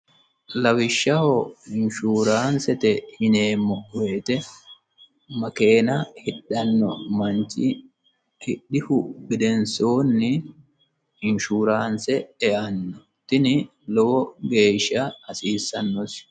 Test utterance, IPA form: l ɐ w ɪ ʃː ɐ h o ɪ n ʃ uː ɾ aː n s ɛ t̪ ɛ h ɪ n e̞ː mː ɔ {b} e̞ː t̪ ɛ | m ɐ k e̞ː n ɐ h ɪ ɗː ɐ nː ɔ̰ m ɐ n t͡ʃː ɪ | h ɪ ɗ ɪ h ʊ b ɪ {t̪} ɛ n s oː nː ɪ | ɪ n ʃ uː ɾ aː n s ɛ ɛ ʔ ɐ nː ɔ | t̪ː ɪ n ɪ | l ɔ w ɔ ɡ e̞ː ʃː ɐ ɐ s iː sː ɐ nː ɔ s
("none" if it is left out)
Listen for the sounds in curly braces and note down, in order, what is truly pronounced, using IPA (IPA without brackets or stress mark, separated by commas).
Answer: w, d̪